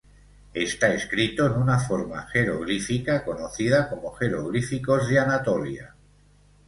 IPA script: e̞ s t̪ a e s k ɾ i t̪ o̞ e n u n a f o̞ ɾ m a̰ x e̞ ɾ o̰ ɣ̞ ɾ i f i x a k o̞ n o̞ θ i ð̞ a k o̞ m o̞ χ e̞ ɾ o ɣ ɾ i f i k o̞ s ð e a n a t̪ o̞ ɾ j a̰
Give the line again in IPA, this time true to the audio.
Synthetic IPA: e̞ s t̪ a e s k ɾ i t̪ o̞ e n u n a f o̞ ɾ m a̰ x e̞ ɾ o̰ ɣ̞ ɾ i f i k a k o̞ n o̞ θ i ð̞ a k o̞ m o̞ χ e̞ ɾ o ɣ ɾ i f i k o̞ z ð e a n a t̪ o̞ l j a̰